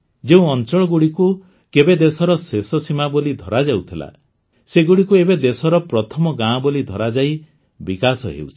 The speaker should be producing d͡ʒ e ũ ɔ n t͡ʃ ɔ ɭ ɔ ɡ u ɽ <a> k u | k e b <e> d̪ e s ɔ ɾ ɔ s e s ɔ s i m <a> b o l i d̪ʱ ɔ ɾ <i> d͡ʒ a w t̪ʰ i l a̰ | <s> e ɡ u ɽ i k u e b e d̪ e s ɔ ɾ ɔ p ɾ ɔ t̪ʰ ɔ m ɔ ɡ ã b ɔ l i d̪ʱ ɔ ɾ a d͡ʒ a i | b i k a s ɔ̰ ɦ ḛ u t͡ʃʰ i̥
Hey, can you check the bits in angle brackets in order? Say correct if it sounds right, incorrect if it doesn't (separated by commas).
incorrect, correct, correct, incorrect, correct